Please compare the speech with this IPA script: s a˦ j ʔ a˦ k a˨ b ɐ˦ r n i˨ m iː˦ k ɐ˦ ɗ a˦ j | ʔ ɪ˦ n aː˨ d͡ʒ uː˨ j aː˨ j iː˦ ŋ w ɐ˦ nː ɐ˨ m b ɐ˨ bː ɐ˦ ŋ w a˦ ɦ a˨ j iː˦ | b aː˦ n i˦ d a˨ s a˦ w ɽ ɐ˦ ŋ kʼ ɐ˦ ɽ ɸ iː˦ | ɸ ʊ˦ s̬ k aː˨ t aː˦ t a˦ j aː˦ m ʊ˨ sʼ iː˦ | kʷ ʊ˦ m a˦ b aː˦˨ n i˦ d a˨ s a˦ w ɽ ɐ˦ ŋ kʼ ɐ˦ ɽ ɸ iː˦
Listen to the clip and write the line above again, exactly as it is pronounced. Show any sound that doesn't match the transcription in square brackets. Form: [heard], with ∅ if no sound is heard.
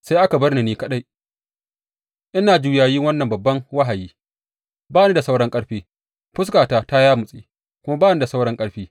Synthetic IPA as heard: s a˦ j ʔ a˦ k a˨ b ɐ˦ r n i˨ [n] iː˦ k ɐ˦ ɗ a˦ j | ʔ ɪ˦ n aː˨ d͡ʒ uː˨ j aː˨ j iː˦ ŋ w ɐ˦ nː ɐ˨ m b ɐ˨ bː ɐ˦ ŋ w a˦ ɦ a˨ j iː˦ | b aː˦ n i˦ d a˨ s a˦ w ɽ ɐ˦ ŋ kʼ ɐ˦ ɽ ɸ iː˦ | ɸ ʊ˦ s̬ k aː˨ t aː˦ t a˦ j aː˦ m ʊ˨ sʼ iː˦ | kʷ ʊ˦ m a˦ b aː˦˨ n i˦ d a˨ s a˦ w ɽ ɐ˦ ŋ kʼ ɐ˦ ɽ ɸ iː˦